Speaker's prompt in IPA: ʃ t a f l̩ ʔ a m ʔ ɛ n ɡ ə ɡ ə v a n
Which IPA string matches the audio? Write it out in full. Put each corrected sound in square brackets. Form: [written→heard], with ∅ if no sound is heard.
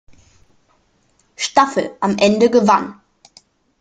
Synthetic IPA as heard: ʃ t a f l̩ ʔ a m ʔ ɛ n [ɡ→d] ə ɡ ə v a n